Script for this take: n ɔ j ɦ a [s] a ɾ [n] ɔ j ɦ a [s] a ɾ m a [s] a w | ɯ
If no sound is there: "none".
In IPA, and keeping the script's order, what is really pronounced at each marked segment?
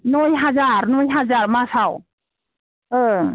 z, n, z, s

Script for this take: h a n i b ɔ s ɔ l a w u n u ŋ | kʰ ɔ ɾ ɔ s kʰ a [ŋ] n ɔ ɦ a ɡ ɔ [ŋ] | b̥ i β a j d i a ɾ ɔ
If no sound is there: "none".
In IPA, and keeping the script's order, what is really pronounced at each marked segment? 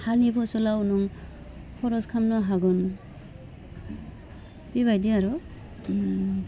m, n

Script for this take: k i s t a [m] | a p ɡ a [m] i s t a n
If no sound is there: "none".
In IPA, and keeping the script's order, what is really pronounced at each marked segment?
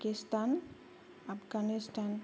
n, n

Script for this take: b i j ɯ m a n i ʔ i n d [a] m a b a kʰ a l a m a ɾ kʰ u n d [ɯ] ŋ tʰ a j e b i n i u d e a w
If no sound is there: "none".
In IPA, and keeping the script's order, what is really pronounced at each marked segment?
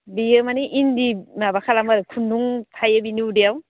i, u

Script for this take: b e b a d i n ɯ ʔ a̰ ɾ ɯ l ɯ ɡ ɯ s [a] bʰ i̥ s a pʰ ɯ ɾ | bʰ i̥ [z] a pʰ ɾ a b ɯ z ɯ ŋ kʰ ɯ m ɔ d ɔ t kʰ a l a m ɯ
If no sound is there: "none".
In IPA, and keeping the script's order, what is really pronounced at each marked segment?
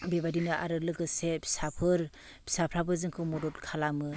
e, s

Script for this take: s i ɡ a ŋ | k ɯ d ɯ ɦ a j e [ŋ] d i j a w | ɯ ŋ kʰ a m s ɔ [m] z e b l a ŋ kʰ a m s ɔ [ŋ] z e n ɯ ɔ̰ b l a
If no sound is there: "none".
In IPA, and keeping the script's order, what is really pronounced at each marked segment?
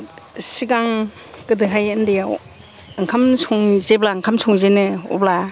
n, ŋ, ŋ

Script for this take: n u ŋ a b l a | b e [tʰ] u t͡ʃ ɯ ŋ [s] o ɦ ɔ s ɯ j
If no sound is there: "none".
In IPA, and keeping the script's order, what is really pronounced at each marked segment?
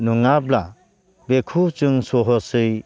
kʰ, s

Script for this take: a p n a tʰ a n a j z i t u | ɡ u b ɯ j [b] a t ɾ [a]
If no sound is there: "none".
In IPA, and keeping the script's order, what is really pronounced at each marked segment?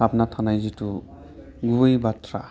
b, a

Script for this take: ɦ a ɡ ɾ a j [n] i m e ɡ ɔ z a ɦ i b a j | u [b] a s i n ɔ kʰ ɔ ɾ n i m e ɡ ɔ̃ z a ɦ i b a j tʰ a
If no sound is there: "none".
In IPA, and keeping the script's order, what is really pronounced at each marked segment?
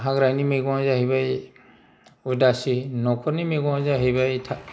n, d

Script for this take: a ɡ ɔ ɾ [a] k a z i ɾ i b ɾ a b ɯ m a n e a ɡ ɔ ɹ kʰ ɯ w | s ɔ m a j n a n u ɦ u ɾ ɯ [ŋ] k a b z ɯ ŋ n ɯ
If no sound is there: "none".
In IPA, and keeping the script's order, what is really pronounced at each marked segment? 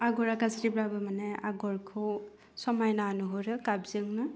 a, none

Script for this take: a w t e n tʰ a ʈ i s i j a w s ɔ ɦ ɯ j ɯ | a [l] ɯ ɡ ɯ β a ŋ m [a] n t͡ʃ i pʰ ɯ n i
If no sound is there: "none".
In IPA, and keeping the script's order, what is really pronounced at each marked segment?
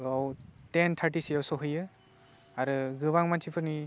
ɾ, a

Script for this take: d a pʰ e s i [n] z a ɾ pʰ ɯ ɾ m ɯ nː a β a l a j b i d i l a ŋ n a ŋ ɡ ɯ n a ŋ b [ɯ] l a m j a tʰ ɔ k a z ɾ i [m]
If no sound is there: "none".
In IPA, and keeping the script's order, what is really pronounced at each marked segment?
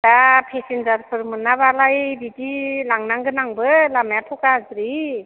n, ɯ, none

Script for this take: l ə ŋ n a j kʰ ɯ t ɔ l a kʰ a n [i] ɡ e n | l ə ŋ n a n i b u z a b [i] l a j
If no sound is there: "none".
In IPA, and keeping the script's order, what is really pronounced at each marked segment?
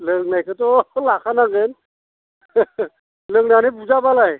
a, a

